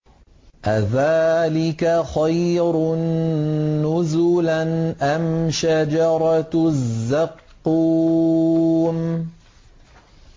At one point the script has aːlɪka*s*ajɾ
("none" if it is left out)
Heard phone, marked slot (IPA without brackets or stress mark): x